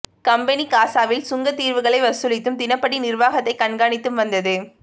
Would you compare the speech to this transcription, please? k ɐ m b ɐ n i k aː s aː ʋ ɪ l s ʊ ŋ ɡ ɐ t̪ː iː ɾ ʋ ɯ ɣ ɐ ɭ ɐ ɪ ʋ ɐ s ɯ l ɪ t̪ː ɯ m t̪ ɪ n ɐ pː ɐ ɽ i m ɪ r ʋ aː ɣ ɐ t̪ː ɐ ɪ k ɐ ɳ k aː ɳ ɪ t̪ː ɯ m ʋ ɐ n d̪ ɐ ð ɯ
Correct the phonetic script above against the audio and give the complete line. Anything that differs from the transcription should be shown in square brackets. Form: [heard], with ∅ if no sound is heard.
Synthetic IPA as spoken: k ɐ m b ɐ n i k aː s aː ʋ ɪ l s ʊ ŋ ɡ ɐ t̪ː iː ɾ ʋ ɯ ɣ ɐ ɭ ɐ ɪ ʋ ɐ s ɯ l ɪ t̪ː ɯ m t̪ ɪ n ɐ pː ɐ ɽ i [n] ɪ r ʋ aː ɣ ɐ t̪ː ɐ ɪ k ɐ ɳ [ɡ] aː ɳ ɪ t̪ː ɯ m ʋ ɐ n d̪ ɐ ð ɯ